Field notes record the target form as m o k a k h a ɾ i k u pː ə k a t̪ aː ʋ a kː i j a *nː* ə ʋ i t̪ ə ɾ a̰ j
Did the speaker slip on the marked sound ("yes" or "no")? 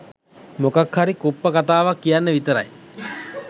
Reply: no